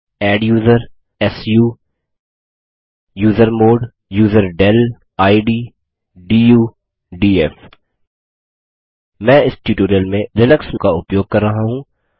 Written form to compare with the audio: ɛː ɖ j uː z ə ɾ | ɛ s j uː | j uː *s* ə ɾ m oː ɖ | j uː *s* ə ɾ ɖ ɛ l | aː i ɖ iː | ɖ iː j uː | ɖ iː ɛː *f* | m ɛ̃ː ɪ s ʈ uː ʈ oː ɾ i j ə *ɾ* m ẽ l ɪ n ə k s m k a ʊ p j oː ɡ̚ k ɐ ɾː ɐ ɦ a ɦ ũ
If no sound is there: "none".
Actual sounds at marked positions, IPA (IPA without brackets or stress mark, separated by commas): z, z, f, l